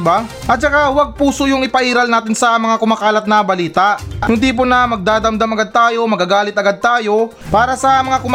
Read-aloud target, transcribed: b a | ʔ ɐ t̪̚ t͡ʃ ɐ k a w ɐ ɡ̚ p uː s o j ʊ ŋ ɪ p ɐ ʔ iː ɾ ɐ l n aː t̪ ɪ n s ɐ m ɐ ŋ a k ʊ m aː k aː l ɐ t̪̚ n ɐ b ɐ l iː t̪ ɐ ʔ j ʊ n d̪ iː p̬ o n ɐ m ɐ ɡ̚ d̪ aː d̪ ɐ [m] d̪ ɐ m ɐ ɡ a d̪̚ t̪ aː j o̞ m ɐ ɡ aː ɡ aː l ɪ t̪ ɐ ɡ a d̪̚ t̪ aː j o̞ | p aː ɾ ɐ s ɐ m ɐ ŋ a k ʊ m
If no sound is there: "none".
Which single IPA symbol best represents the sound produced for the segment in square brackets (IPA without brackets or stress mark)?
m